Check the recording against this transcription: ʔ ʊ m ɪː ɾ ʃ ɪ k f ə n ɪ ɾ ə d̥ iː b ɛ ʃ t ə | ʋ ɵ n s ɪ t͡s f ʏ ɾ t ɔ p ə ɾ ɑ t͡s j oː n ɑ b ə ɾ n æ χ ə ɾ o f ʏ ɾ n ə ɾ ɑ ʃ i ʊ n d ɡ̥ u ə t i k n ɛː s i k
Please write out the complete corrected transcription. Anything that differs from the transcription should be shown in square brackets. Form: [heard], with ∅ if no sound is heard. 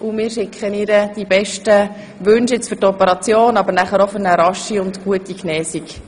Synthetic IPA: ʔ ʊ m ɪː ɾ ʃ ɪ k [χ] ə n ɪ ɾ ə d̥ [i] b ɛ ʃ t ə | ʋ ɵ n [ʃ] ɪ t͡s f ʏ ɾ t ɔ p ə ɾ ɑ t͡s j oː n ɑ b ə ɾ n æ χ ə ɾ o f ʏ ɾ n ə ɾ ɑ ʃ i ʊ n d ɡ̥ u ə t i k n ɛː s i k